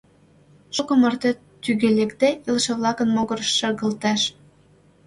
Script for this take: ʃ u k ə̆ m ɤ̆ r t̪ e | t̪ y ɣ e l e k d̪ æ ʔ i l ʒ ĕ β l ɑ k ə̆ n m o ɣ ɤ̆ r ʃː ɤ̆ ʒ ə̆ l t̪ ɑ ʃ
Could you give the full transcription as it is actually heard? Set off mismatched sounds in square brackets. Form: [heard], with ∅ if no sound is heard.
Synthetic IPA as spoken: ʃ [o] k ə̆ m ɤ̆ r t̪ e | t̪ y ɣ e l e k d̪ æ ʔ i l [ʃ] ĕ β l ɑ k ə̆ n m o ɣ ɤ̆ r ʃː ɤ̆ [ɣ] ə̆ l t̪ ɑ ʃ